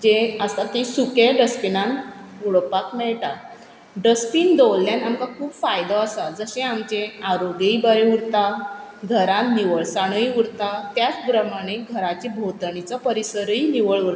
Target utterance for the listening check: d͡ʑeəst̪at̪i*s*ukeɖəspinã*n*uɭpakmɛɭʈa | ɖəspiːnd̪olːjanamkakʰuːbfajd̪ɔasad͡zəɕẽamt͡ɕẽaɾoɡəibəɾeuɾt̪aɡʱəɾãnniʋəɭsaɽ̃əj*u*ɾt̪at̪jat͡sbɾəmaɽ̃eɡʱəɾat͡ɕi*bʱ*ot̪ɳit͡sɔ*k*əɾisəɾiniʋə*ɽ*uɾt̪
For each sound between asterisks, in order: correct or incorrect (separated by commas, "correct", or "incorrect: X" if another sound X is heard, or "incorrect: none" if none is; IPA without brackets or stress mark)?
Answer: correct, correct, correct, correct, incorrect: p, incorrect: ɭ